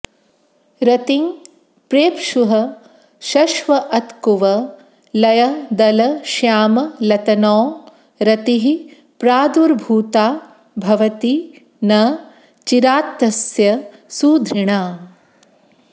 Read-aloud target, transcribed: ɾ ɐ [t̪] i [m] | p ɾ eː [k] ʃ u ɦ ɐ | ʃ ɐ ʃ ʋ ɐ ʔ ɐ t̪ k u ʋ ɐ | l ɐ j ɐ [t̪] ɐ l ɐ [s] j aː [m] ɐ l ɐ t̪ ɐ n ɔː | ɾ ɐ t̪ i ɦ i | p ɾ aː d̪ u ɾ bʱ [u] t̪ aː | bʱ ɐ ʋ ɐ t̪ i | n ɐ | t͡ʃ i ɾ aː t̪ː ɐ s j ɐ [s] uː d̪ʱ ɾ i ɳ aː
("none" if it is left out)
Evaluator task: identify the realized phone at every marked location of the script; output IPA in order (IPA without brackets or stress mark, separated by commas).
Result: t̪, ŋ, p, d̪, ʃ, m, uː, s